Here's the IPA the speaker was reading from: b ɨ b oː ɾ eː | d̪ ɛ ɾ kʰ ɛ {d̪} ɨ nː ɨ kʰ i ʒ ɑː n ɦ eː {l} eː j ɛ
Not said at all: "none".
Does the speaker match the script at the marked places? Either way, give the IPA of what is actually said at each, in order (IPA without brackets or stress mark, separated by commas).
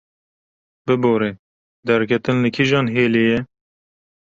t̪, l